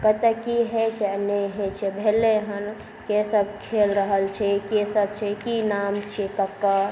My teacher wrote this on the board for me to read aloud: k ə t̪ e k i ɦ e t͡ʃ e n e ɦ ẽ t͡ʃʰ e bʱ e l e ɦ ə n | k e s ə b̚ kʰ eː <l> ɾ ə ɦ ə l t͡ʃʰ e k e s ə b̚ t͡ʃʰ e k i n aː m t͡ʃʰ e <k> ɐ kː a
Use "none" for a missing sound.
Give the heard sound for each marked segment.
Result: l, k

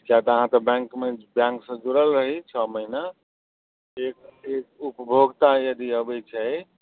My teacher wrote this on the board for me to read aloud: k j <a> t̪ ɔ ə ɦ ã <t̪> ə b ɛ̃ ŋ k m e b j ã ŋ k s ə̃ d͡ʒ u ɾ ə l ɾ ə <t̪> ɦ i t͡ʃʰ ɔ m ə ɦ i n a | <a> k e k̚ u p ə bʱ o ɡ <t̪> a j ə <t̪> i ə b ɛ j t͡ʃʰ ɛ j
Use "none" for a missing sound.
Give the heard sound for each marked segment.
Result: a, t̪, none, e, t̪, d̪

